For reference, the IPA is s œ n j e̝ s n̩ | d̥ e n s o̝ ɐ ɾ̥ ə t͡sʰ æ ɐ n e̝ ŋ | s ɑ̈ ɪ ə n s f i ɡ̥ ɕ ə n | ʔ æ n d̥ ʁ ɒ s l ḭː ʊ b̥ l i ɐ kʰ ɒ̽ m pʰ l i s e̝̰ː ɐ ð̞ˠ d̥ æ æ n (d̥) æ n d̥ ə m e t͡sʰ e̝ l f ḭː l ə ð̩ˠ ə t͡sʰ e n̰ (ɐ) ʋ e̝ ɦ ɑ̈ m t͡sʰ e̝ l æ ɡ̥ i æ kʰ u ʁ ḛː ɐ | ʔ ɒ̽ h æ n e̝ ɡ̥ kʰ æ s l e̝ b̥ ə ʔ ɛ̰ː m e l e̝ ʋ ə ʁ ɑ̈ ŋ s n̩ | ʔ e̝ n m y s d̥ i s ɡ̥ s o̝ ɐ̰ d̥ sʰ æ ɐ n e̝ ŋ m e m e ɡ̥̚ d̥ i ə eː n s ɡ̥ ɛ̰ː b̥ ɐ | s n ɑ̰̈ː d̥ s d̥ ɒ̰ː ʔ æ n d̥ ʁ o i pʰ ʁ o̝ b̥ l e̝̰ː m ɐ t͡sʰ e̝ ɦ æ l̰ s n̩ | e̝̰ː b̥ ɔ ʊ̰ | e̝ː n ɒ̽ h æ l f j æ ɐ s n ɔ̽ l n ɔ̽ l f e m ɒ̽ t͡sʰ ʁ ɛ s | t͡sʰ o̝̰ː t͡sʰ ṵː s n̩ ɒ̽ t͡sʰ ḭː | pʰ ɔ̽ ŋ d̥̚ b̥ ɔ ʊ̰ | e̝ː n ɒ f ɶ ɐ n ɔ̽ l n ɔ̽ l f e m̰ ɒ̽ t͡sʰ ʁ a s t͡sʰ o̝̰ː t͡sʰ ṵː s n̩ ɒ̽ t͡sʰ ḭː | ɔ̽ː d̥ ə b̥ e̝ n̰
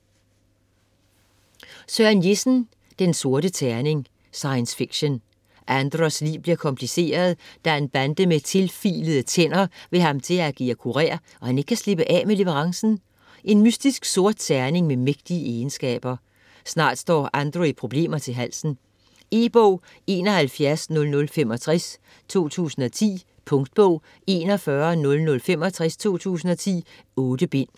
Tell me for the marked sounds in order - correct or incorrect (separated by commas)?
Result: incorrect, correct